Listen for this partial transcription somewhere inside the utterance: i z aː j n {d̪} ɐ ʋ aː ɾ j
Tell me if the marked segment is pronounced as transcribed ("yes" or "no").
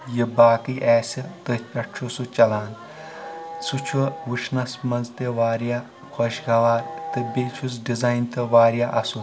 no